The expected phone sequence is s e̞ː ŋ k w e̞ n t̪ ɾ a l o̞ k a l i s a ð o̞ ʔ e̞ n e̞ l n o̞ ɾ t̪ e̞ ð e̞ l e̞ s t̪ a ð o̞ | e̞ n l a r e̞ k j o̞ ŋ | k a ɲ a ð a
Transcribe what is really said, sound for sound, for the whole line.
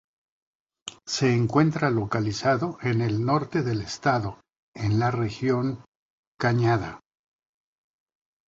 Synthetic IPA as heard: s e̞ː ŋ k w e̞ n t̪ ɾ a l o̞ k a l i s a ð o̞ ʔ e̞ n e̞ l n o̞ ɾ t̪ e̞ ð e̞ l e̞ s t̪ a ð o̞ | e̞ n l a r e̞ x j o̞ ŋ | k a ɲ a ð a